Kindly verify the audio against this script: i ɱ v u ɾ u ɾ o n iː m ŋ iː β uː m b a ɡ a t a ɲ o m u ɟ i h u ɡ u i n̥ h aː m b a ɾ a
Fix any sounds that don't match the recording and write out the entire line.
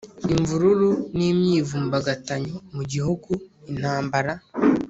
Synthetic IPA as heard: i ɱ v u ɾ u ɾ u n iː m ɲ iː v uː m b a ɡ a t a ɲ o m u ɟ i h u ɡ u i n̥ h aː m b a ɾ a